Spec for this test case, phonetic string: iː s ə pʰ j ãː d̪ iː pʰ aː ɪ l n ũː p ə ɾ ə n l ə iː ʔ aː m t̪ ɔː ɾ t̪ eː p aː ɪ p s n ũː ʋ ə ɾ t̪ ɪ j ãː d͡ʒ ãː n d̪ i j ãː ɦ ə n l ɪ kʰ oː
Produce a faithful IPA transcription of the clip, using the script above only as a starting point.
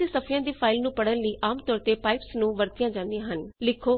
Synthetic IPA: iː s ə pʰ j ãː d̪ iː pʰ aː ɪ l n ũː p ə ɽ ə n l ə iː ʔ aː m t̪ ɔː ɾ t̪ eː p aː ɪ p s n ũː ʋ ə ɾ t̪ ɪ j ãː d͡ʒ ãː n d̪ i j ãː ɦ ə n l ɪ kʰ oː